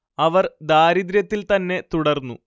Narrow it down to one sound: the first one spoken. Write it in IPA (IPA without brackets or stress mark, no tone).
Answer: ɐ